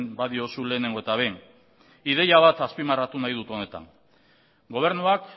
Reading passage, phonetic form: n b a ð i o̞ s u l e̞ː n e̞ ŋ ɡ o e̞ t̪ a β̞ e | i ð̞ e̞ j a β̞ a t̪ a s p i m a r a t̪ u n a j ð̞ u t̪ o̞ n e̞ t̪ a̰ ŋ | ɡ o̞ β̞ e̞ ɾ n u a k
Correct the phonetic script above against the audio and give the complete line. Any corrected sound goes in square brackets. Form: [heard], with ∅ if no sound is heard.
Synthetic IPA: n b a ð i o̞ s u l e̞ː n e̞ ŋ ɡ o e̞ t̪ a β̞ e | i ð̞ e̞ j a β̞ a t̪ a s p i m a r a t̪ u n a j ð̞ u t̪ o̞ n e̞ t̪ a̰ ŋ | ɡ o̞ β̞ e̞ ɾ n u a k